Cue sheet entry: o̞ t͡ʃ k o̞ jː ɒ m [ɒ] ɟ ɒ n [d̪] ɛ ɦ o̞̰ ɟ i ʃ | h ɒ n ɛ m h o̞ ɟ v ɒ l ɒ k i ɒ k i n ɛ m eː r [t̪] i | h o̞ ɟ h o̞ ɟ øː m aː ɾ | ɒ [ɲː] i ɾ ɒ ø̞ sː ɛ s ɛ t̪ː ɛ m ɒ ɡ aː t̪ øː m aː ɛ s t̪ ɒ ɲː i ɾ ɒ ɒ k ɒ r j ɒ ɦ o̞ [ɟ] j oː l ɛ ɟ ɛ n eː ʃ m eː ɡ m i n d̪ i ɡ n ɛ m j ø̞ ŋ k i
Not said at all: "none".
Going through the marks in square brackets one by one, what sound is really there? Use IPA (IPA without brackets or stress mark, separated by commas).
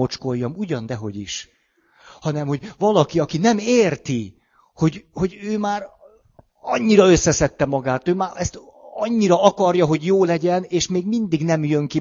u, d̪, t̪, ɲː, ɟ